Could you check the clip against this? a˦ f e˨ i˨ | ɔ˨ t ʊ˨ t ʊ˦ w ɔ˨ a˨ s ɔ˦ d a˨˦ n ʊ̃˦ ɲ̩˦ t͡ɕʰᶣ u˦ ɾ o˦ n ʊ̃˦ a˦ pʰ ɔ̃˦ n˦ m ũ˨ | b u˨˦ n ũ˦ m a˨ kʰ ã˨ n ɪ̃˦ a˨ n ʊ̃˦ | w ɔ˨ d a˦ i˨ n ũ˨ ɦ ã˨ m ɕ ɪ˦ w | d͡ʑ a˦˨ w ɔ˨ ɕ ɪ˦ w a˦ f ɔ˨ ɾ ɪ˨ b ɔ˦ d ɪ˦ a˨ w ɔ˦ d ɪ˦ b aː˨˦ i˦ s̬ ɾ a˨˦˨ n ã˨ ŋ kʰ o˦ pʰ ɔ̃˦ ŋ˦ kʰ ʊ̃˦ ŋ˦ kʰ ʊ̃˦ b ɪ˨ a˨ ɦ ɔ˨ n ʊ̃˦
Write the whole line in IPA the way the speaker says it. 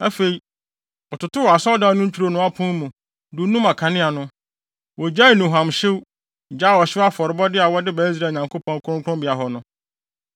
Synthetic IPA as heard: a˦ f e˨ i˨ | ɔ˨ t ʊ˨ t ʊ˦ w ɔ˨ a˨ s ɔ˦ d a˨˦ n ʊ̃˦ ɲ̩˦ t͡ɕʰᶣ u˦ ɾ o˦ n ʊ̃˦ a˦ pʰ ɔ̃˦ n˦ m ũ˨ | d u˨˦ n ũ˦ m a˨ kʰ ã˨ n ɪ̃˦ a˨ n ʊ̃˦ | w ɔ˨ d͡ʑ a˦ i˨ n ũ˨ ɦ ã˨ m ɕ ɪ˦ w | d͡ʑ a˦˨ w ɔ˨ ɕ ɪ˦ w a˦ f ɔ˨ ɾ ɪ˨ b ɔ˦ d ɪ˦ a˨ w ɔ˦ d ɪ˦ b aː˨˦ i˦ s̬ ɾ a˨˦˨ ɲ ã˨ ŋ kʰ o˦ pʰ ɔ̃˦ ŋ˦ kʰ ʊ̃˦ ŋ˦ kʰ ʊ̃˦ b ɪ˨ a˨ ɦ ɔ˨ n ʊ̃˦